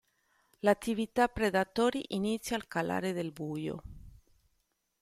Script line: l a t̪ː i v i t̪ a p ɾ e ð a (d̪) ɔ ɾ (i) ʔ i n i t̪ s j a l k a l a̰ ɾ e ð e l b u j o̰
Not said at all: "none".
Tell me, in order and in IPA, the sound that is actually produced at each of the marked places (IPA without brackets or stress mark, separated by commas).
t̪, i